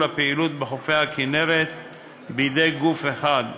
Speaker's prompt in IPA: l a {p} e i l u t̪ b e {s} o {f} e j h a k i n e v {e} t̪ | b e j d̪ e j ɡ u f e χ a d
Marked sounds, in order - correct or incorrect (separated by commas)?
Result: correct, incorrect, correct, correct